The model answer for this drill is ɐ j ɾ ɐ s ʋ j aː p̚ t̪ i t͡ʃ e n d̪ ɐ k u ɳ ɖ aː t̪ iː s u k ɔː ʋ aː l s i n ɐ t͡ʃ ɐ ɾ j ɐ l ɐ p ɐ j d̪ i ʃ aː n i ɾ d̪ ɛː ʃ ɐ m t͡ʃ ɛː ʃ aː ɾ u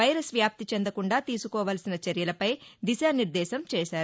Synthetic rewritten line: ɐ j ɾ ɐ s ʋ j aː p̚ t̪ i t͡ʃ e n d̪ ɐ k u ɳ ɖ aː t̪ iː s u k ɔː ʋ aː l s i n ɐ t͡ʃ ɐ ɾ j ɐ l ɐ p ɐ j d̪ i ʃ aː n i ɾ d̪ ɛː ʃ ɐ m t͡ʃ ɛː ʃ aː ɾ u